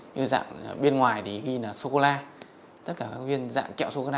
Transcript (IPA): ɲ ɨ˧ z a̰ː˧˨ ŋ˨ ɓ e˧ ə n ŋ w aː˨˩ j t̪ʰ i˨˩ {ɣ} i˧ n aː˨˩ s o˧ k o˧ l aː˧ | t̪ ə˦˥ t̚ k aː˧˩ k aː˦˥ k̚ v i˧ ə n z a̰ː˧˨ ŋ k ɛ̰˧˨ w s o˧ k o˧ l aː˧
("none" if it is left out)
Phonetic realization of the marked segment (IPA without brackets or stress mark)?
ɣ